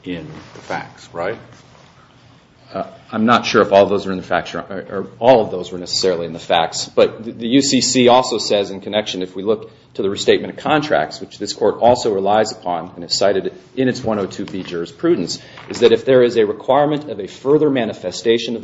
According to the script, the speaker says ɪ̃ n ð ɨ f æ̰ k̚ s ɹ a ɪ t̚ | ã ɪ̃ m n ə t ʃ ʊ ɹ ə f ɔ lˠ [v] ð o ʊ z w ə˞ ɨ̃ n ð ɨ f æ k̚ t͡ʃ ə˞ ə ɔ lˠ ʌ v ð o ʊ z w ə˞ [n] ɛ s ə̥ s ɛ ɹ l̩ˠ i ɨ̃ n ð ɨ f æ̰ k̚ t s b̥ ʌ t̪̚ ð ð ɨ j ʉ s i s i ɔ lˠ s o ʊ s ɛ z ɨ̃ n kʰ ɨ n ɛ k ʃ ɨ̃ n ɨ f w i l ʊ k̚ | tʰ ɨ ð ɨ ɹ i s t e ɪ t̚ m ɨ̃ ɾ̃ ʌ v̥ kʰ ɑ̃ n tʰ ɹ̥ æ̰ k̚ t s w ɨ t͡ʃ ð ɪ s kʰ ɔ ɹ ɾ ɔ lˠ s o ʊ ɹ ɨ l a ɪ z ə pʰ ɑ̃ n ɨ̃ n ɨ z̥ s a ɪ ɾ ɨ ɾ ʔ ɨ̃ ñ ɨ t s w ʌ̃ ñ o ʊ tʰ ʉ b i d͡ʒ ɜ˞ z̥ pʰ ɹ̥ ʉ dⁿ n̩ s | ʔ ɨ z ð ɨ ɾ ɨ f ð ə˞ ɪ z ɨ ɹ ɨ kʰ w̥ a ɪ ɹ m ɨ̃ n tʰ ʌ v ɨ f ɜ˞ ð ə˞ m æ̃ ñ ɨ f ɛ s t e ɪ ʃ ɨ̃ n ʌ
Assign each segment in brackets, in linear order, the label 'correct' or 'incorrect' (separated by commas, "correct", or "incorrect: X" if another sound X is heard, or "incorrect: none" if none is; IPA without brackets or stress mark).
correct, correct